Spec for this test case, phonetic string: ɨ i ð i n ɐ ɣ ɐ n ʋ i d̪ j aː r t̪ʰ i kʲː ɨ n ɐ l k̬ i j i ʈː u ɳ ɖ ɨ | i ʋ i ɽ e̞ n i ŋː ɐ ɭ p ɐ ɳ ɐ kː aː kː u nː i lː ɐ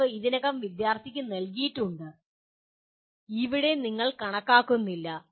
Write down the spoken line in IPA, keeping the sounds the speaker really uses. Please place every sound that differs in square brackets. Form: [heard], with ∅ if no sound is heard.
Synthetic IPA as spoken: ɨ i ð i n ɐ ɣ ɐ [m] ʋ i d̪ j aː r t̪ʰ i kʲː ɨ n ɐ l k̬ i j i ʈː u ɳ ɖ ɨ | i ʋ i ɽ e̞ n i ŋː ɐ ɭ [k] ɐ ɳ ɐ kː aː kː u nː i lː ɐ